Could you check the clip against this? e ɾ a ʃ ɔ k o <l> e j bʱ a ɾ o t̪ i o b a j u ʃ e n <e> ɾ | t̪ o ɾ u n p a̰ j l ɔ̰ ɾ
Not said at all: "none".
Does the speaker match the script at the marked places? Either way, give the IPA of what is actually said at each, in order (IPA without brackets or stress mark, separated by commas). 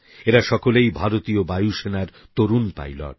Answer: l, a